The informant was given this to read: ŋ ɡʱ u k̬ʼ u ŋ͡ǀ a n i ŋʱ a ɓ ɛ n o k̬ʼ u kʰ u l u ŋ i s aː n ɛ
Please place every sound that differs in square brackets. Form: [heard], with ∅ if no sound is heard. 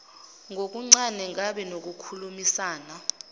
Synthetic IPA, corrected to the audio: ŋ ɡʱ [o] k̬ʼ u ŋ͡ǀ a n [ɛ] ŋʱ a ɓ ɛ n o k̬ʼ u kʰ u l u [m] i s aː n [a]